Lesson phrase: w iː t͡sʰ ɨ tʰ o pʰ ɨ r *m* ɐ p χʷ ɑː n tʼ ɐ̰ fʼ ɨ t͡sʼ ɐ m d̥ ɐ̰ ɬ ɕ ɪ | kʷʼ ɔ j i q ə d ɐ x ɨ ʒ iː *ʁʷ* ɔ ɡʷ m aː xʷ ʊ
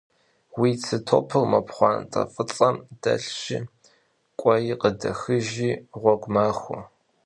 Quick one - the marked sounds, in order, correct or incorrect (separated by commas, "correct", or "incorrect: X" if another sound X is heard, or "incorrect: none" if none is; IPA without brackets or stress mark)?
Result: correct, correct